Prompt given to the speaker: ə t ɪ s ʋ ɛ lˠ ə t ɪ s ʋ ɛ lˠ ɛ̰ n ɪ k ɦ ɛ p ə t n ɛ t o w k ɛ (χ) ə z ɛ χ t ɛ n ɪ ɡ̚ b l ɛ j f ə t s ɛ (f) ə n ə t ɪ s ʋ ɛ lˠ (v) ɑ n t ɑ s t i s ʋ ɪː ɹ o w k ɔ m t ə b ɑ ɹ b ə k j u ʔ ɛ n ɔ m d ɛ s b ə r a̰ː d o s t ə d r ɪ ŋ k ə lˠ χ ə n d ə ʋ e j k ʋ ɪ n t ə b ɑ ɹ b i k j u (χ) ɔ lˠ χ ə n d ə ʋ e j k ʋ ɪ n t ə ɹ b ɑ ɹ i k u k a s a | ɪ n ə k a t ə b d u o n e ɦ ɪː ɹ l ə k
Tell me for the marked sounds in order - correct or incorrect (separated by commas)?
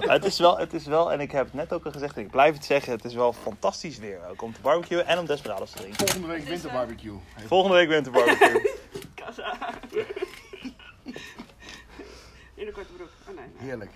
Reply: correct, incorrect, incorrect, incorrect